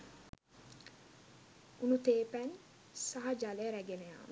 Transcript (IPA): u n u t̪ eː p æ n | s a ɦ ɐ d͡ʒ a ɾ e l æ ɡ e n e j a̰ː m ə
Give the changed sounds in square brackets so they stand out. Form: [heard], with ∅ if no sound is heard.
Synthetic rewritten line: u n u t̪ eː p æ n | s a ɦ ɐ d͡ʒ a [l] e [ɾ] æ ɡ e n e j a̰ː m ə

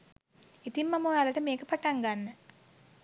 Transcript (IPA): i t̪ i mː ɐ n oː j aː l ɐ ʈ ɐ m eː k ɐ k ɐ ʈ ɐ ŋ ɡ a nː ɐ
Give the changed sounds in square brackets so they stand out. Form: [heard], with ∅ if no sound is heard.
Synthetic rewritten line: i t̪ i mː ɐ [m] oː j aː l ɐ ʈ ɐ m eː k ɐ [p] ɐ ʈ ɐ ŋ ɡ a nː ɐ

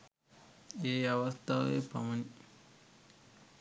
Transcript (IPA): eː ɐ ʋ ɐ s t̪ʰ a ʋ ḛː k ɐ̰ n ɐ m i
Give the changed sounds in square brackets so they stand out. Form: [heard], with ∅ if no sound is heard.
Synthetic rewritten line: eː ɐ ʋ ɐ s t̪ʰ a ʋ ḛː [p] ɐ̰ [m] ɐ [n] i

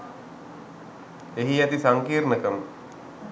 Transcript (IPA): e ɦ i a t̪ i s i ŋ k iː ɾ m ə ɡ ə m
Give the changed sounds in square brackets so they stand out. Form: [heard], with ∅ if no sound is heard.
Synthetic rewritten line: e ɦ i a t̪ i s [a] ŋ k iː ɾ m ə [k] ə m

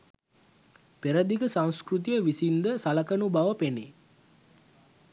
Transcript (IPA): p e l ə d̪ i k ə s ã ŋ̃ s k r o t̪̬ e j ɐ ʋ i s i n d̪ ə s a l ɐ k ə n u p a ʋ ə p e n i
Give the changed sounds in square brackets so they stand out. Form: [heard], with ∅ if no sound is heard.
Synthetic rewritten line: p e [ɾ] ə d̪ i k ə s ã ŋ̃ s k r [u] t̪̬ [i] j [ə] ʋ i s i n d̪ ə s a l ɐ k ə n u [b] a ʋ ə p e n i

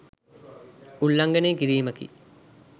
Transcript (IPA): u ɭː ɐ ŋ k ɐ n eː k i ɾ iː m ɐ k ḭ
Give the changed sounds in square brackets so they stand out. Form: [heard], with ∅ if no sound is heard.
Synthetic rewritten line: u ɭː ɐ ŋ [ɡ] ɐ n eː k i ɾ iː m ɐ k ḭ

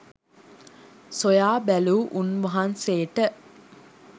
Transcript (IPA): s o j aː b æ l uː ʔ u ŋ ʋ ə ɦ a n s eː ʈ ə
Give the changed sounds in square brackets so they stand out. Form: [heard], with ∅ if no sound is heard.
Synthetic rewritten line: s o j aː b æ l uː ʔ u [n] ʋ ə ɦ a n s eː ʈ ə

